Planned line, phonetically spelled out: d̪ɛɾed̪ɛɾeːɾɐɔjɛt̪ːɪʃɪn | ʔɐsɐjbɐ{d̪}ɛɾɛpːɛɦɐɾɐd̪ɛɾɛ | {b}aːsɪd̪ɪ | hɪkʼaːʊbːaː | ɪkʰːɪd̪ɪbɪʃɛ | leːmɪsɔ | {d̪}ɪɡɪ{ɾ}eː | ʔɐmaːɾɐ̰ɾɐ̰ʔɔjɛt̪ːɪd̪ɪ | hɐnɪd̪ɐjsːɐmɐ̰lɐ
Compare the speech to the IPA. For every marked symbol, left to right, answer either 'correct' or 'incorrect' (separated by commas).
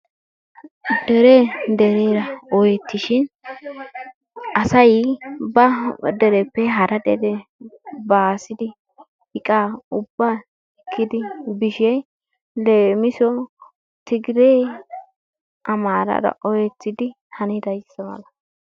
correct, correct, incorrect, correct